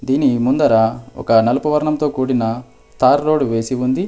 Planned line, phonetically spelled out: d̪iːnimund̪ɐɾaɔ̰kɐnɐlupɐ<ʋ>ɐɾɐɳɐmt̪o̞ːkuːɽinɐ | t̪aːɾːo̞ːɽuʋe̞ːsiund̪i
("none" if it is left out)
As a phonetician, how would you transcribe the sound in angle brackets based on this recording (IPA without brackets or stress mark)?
ʋ